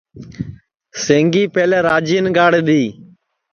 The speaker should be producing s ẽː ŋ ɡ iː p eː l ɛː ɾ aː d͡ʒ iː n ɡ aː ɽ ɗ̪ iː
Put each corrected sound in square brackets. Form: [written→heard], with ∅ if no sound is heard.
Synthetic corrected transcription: s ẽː ŋ ɡ iː p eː l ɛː ɾ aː d͡ʒ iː n ɡ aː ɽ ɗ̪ iː